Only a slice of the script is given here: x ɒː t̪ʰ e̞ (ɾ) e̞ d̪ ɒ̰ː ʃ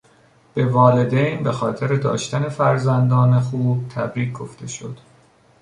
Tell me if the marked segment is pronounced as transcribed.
yes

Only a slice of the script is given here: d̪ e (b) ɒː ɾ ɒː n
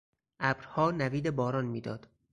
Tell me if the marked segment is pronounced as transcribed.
yes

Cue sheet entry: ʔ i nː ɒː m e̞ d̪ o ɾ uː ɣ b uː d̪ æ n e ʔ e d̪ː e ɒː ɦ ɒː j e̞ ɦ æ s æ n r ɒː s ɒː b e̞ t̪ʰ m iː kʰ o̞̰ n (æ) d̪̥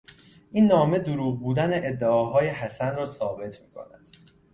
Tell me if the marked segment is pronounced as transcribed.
yes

